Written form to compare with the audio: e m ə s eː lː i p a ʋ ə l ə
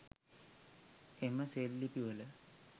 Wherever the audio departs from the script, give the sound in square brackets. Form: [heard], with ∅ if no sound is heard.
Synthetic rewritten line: e m ə s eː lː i p [i] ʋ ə l ə